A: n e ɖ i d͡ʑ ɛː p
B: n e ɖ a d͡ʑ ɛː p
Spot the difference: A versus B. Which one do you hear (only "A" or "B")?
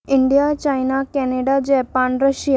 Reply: B